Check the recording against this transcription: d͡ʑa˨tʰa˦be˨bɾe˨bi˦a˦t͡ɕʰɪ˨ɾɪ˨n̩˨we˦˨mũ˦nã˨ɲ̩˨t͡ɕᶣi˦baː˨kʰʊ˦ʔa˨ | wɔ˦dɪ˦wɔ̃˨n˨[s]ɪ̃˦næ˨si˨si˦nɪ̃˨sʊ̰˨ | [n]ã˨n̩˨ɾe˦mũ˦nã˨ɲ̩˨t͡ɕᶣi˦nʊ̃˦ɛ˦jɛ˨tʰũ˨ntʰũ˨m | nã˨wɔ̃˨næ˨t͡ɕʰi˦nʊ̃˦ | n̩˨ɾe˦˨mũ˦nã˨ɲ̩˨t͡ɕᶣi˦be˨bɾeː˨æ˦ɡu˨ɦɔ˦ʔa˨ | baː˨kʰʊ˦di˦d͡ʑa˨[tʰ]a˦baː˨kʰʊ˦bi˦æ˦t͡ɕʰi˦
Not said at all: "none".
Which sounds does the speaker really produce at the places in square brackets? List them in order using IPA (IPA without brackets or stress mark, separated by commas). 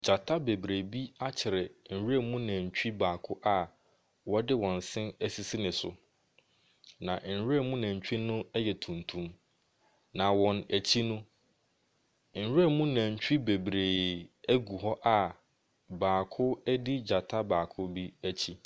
s, n, tʰ